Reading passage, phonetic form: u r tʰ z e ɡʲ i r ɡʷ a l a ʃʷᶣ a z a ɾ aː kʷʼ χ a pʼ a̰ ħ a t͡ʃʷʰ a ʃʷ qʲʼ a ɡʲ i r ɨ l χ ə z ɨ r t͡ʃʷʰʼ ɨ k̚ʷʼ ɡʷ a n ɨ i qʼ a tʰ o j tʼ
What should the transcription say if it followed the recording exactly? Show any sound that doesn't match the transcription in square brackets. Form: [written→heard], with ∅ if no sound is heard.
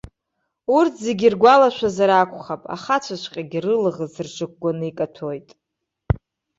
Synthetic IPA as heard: u r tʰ z e ɡʲ i r ɡʷ a l a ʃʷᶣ a z a ɾ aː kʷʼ χ a pʼ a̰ [ħ→χ] a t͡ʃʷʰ a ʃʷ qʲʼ a ɡʲ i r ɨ l [χ→ʁ] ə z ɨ r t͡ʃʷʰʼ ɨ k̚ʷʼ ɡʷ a n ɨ i [qʼ→kʼ] a tʰ o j tʼ